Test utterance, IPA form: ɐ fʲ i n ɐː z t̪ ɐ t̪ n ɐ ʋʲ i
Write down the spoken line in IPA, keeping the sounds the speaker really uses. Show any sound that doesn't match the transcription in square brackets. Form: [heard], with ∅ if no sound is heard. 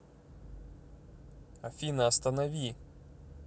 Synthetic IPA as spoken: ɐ fʲ i n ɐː [s] t̪ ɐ [∅] n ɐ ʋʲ i